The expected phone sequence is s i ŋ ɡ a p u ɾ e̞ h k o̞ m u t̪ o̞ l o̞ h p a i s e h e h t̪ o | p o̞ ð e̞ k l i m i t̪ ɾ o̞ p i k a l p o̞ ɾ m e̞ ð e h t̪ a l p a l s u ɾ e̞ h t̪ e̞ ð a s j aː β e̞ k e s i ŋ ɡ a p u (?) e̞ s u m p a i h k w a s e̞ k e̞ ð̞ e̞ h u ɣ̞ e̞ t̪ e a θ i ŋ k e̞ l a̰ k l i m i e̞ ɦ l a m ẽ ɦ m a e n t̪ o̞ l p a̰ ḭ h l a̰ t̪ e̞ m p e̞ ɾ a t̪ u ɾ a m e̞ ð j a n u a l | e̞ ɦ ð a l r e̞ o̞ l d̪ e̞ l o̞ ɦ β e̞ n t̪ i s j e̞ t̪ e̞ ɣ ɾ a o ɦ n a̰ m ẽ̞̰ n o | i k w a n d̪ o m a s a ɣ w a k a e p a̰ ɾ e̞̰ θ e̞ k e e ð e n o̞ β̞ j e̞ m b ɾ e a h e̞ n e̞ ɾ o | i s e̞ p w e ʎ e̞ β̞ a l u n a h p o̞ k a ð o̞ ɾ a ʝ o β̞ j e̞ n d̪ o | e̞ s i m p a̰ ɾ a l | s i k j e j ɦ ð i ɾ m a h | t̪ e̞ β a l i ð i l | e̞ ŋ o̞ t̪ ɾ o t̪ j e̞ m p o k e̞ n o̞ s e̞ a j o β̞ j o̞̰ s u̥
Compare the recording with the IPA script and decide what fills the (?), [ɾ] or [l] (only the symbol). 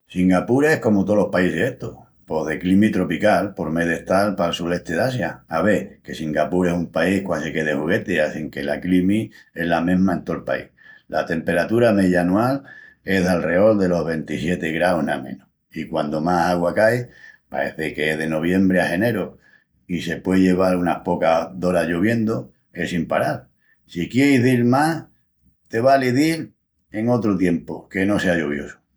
ɾ